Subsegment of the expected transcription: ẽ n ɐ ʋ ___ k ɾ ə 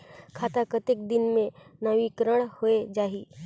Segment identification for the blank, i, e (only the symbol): i